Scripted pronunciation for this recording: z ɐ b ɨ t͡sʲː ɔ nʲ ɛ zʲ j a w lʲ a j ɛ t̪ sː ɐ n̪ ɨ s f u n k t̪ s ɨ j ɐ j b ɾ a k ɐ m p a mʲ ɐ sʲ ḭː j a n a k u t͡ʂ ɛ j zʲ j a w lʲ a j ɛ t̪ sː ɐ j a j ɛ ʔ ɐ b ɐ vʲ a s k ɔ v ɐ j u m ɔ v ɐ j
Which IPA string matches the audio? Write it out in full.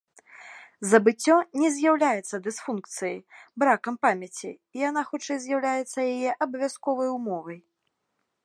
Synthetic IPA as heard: z ɐ b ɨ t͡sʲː ɔ nʲ ɛ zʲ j a w lʲ a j ɛ t̪ sː ɐ d̪ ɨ s f u n k t̪ s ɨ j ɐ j b ɾ a k ɐ m p a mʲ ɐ t͡sʲ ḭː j a n a x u t͡ʂ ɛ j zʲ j a w lʲ a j ɛ t̪ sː ɐ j a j ɛ ʔ ɐ b ɐ vʲ a s k ɔ v ɐ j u m ɔ v ɐ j